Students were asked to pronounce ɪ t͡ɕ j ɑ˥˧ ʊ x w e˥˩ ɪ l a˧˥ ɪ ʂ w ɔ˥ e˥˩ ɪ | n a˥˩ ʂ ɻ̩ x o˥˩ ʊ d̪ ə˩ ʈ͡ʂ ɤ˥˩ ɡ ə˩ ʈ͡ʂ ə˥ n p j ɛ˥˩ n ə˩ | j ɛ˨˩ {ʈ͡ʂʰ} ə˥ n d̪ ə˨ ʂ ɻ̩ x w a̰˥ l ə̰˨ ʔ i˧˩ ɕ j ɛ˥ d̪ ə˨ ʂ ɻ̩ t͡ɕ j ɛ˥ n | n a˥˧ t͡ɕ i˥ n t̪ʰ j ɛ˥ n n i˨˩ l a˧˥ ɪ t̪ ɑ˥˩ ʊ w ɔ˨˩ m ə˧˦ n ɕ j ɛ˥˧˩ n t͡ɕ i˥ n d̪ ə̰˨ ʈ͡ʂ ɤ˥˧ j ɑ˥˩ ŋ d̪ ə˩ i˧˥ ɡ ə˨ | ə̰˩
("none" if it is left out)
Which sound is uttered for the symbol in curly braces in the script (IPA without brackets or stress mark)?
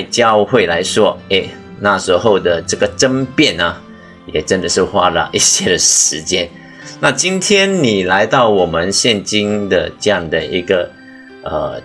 ʈ͡ʂ